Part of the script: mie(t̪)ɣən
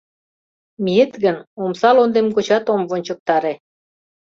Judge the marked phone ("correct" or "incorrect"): correct